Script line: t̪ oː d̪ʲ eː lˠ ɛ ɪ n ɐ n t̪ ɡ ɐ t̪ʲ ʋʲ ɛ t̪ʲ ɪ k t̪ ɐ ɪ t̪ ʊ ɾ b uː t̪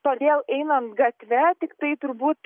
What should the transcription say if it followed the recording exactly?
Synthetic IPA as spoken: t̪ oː d̪ʲ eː lˠ ɛ ɪ n ɐ n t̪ ɡ ɐ t̪ʲ ʋʲ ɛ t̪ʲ ɪ k t̪ ɐ ɪ t̪ ʊ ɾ b uː t̪